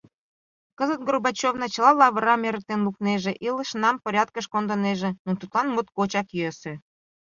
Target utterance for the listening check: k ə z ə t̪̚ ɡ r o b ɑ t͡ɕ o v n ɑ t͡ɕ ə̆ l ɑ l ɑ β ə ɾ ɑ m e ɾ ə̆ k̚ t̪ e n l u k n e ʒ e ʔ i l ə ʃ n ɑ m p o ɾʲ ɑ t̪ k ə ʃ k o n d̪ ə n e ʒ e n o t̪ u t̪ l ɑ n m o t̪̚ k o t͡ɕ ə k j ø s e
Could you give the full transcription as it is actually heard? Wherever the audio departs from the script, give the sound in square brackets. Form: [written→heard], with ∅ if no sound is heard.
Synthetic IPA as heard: k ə z ə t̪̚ ɡ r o b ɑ t͡ɕ o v n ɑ t͡ɕ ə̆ l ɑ l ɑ β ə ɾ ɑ m e ɾ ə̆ k̚ t̪ e n l u k n e ʒ e ʔ i l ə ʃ n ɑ m p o ɾʲ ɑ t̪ k ə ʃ k o n d̪ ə n e ʒ e n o t̪ u t̪ l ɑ n m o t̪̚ k o t͡ɕ [ə→ɑ] k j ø s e